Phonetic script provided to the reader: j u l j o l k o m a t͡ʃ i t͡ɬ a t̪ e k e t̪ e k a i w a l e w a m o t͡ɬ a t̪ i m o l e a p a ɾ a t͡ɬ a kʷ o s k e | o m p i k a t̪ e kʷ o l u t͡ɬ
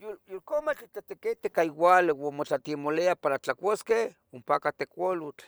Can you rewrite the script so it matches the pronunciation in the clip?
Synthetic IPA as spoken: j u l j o l k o m a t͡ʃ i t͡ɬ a t̪ e k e t̪ e k a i w a l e w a m o t͡ɬ a t̪ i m o l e a p a ɾ a t͡ɬ a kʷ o s k e | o m p a k a t̪ e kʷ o l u t͡ɬ